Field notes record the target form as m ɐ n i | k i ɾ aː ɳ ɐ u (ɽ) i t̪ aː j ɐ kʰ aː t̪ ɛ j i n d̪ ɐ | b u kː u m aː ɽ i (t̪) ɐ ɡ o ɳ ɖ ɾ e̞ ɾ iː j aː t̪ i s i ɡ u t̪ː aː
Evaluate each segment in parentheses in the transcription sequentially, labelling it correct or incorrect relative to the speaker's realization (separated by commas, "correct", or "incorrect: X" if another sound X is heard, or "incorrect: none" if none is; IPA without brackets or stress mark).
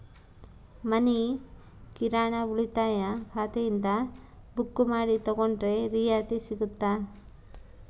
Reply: incorrect: ɭ, correct